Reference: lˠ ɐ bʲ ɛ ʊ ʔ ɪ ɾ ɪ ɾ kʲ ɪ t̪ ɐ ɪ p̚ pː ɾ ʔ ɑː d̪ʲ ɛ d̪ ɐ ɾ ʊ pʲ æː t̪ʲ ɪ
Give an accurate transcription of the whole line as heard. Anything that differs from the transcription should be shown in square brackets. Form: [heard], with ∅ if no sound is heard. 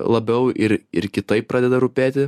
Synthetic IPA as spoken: lˠ ɐ bʲ ɛ ʊ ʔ ɪ ɾ ɪ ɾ kʲ ɪ t̪ ɐ ɪ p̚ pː ɾ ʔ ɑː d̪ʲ ɛ d̪ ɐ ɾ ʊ pʲ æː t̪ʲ ɪ